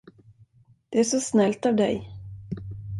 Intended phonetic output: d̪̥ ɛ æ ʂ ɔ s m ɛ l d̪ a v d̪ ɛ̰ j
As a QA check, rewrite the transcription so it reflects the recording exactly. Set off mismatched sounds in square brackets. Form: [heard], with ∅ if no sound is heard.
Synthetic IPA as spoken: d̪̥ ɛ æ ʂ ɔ s [n] ɛ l [t̪] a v d̪ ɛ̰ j